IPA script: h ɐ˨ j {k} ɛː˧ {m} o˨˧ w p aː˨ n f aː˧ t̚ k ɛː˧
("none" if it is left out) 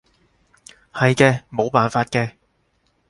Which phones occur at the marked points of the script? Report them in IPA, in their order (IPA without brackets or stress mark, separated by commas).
k, m